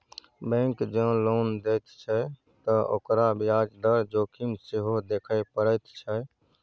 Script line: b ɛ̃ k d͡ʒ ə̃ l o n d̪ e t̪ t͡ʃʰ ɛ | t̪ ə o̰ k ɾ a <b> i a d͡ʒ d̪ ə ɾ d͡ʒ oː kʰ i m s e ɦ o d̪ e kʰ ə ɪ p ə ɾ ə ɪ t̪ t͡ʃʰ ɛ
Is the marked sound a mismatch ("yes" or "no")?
no